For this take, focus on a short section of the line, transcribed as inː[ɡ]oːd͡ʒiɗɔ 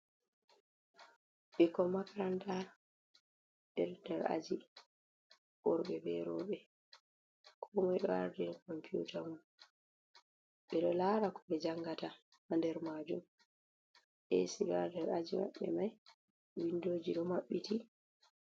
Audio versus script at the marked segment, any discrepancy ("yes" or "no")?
yes